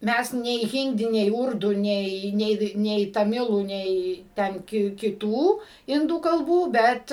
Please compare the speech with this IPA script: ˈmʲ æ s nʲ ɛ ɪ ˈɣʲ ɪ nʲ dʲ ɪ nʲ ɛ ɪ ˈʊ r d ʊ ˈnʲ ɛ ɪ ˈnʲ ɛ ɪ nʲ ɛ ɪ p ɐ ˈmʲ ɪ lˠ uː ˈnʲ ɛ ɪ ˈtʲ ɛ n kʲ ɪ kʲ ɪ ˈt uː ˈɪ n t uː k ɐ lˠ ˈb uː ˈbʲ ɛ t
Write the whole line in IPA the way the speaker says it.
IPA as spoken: ˈmʲ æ s nʲ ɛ ɪ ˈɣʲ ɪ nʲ dʲ ɪ nʲ ɛ ɪ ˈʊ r d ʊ ˈnʲ ɛ ɪ ˈnʲ ɛ ɪ nʲ ɛ ɪ t ɐ ˈmʲ ɪ lˠ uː ˈnʲ ɛ ɪ ˈtʲ ɛ n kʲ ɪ kʲ ɪ ˈt uː ˈɪ n d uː k ɐ lˠ ˈb uː ˈbʲ ɛ t